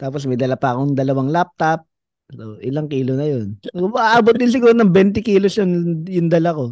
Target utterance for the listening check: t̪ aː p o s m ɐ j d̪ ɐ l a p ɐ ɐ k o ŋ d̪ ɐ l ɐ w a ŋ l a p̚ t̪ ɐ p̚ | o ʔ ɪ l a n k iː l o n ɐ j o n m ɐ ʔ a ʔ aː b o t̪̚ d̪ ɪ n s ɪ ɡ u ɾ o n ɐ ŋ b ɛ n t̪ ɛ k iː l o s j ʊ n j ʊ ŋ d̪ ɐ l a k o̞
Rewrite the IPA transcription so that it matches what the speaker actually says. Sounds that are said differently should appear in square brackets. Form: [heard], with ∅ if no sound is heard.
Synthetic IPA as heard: t̪ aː p o s m ɐ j d̪ ɐ l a p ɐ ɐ k o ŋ d̪ ɐ l ɐ w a ŋ l a p̚ t̪ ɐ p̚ | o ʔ ɪ l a [ŋ] k iː l o n ɐ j o n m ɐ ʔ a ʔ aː b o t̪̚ d̪ ɪ n s ɪ ɡ [uː] ɾ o n ɐ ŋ b ɛ n t̪ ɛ k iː l o s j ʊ n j ʊ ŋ d̪ ɐ l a k o̞